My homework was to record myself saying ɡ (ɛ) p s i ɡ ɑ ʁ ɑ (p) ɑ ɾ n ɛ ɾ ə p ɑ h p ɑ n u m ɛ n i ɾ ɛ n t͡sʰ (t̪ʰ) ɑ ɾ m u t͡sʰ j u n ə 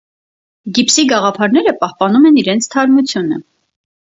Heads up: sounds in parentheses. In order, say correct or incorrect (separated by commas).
incorrect, incorrect, correct